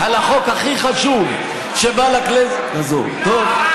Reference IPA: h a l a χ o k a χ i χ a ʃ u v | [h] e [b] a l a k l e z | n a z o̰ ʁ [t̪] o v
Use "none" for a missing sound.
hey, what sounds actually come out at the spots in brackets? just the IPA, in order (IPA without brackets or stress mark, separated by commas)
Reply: ʃ, b, t̪